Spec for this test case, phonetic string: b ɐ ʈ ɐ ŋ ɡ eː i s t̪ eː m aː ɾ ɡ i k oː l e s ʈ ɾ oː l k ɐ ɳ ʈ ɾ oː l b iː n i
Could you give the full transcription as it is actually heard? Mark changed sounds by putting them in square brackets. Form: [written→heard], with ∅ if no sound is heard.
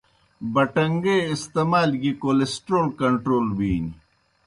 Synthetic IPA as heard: b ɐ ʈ ɐ ŋ ɡ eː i s t̪ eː m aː [ɾ→l] ɡ i k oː l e s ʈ ɾ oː l k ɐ ɳ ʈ ɾ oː l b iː n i